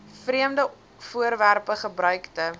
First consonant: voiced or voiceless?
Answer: voiceless